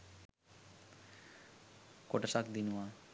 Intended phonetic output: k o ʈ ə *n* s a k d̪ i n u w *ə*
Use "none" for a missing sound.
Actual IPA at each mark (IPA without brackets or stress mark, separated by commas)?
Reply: none, a